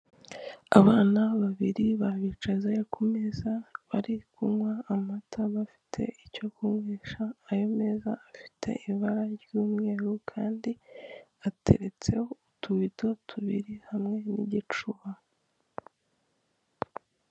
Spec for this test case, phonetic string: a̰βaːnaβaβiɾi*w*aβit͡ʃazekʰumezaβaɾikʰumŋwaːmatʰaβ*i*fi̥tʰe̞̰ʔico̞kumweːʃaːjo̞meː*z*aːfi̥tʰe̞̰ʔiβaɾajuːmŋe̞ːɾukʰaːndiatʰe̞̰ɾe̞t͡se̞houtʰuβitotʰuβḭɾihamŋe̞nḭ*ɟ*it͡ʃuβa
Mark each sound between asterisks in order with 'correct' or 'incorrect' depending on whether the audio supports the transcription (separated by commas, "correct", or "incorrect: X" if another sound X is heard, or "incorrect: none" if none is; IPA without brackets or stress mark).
incorrect: β, incorrect: a, correct, correct